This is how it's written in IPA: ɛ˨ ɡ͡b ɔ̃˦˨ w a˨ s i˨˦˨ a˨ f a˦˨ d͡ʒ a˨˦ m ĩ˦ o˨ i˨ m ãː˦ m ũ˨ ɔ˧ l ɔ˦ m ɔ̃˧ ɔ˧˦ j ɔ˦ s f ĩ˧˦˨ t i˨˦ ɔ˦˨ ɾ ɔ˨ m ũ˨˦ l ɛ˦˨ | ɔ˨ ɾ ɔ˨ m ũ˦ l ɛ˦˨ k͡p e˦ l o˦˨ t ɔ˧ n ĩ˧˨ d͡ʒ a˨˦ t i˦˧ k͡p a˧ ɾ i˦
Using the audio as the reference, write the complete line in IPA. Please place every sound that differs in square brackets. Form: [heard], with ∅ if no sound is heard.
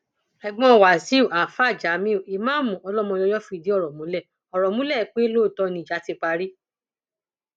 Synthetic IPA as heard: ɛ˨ ɡ͡b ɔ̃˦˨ w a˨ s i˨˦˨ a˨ f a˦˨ d͡ʒ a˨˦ m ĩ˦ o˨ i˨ m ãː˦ m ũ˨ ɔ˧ l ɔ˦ m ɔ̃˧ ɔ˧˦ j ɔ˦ [∅] f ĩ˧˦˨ [d] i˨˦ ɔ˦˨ ɾ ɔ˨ m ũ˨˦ l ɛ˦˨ | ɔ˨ ɾ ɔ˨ m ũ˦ l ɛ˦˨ k͡p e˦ l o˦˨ t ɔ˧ n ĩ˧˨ d͡ʒ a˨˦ t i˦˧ k͡p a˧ ɾ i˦